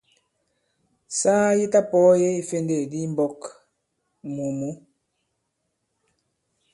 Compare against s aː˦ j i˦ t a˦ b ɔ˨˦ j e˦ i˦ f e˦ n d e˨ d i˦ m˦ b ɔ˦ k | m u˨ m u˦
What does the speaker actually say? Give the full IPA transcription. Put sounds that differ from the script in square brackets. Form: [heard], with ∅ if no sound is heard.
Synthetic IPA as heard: s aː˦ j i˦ t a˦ [p] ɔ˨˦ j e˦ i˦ f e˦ n d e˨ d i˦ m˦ b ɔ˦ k | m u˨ m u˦